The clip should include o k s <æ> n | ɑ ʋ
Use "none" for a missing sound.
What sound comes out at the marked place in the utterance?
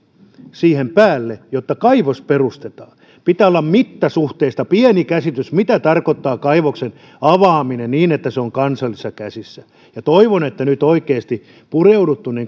e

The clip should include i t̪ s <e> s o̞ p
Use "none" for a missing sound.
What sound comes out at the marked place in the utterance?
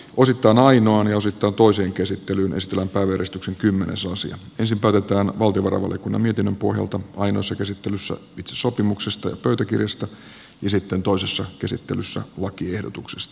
e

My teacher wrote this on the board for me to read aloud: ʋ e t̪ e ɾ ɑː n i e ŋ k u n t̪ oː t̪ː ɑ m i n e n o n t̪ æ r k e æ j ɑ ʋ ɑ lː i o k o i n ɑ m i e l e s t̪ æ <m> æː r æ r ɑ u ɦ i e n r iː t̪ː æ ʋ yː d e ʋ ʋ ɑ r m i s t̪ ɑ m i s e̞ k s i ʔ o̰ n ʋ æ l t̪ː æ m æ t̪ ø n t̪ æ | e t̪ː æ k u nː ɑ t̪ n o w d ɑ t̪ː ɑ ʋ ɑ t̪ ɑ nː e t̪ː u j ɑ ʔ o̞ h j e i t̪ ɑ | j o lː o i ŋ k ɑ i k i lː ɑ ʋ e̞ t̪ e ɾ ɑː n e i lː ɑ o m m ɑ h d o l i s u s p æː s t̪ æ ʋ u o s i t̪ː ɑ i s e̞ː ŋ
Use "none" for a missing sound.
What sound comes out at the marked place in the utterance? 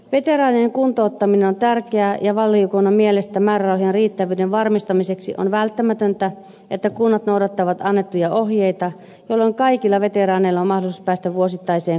m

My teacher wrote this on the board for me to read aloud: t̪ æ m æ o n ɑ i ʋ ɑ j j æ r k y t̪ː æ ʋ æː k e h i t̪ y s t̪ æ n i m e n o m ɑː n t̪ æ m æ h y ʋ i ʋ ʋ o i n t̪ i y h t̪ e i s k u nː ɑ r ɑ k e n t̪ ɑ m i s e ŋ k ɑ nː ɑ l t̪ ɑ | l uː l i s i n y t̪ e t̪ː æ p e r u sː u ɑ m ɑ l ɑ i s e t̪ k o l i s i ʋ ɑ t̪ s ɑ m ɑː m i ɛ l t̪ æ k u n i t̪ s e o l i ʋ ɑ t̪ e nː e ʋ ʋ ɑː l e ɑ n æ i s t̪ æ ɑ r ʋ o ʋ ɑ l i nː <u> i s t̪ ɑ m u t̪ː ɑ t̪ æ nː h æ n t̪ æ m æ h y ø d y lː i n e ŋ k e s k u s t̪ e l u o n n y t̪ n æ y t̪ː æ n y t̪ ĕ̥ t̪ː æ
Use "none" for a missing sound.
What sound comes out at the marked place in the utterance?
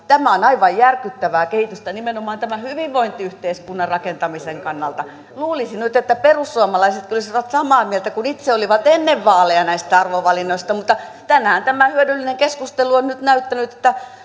o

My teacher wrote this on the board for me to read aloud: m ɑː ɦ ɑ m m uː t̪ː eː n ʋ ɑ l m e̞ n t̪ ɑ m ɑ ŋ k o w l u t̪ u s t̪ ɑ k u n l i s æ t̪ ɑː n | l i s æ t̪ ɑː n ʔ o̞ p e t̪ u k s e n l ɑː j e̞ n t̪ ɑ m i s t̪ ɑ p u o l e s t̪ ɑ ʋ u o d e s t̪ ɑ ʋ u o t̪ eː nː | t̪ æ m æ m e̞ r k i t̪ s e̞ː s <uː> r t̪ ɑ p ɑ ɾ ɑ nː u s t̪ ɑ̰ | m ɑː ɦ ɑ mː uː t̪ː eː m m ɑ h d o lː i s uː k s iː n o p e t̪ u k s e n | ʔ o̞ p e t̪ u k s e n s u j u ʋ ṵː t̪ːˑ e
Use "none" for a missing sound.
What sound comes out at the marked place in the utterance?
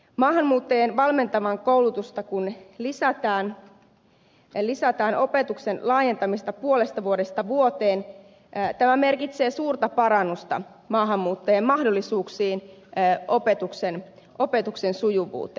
uː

